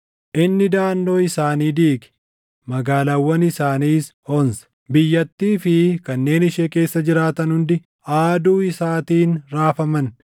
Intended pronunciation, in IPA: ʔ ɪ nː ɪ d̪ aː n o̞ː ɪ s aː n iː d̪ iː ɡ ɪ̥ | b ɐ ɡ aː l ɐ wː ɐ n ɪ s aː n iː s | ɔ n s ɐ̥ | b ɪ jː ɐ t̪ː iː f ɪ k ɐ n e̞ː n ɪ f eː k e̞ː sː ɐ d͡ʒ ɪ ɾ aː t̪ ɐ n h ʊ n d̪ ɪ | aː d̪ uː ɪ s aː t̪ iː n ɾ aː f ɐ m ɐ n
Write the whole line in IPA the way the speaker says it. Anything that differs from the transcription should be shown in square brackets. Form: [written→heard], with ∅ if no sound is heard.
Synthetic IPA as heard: ʔ ɪ nː ɪ d̪ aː [n→nː] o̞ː ɪ s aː n iː d̪ iː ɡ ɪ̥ | [b→m] ɐ ɡ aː l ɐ wː ɐ n ɪ s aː n iː s | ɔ n s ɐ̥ | b ɪ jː ɐ t̪ː iː f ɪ k ɐ [n→nː] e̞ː n ɪ [f→ʃ] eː k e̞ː sː ɐ d͡ʒ ɪ ɾ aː t̪ ɐ n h ʊ n d̪ ɪ | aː d̪ uː ɪ s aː t̪ iː n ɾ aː f ɐ m ɐ n